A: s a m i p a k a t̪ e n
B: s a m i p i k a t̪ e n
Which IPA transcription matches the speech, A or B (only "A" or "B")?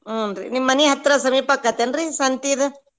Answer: A